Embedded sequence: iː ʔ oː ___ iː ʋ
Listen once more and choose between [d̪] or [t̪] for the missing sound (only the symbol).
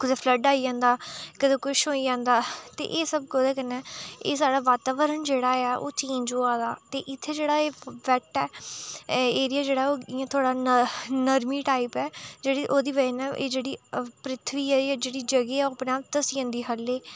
d̪